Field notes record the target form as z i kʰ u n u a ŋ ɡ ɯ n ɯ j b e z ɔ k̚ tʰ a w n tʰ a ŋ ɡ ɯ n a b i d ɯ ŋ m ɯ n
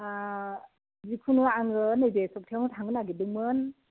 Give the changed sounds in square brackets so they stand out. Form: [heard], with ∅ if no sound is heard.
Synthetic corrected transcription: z i kʰ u n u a ŋ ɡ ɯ n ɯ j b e [s] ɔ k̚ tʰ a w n tʰ a ŋ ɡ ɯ n a [ɡ] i d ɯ ŋ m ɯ n